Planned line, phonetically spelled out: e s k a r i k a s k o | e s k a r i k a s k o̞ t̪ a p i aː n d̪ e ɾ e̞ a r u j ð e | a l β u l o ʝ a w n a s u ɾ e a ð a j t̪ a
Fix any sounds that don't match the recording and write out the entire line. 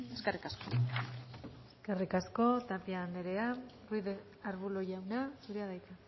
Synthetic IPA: e s k a r i k a s k o | e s k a r i k a s k o̞ t̪ a p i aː n d̪ e ɾ e̞ a r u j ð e | a ɾ β u l o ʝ a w n a s u ɾ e a ð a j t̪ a